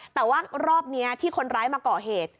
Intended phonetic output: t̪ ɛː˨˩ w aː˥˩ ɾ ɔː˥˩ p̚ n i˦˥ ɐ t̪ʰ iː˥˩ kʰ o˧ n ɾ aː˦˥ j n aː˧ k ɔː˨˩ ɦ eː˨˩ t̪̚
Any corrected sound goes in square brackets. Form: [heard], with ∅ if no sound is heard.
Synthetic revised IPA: t̪ ɛː˨˩ w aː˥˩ ɾ ɔː˥˩ p̚ n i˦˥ ɐ t̪ʰ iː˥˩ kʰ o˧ n ɾ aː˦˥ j [m] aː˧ k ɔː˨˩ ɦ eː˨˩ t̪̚